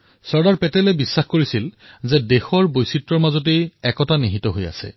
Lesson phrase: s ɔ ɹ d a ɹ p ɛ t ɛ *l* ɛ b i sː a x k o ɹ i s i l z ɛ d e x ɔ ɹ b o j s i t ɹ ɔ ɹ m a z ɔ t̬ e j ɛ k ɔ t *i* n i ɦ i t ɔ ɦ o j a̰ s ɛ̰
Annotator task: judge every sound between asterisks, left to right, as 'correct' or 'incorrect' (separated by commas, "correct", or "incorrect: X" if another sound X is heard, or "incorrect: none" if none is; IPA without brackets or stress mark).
correct, incorrect: a